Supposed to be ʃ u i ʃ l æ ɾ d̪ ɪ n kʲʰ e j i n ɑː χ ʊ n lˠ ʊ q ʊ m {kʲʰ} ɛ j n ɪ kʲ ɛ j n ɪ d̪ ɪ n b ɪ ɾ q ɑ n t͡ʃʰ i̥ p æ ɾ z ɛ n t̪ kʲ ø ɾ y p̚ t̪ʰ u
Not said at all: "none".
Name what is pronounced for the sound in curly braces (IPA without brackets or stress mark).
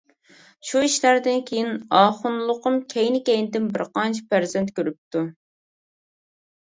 kʲʰ